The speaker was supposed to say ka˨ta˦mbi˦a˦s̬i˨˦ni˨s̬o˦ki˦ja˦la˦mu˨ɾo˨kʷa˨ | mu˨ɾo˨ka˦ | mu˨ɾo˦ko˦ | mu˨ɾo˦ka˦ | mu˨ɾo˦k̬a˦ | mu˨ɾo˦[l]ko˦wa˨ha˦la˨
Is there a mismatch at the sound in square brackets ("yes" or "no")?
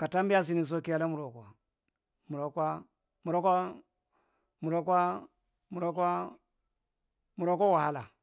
yes